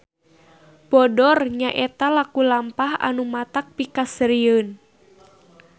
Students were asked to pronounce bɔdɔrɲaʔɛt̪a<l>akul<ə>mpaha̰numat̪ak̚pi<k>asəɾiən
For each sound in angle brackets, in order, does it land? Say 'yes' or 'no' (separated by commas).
yes, no, yes